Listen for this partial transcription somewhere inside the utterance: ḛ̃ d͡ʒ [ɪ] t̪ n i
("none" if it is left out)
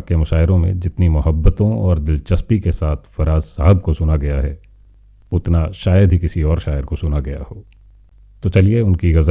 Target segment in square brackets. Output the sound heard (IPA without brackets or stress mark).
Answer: ɪ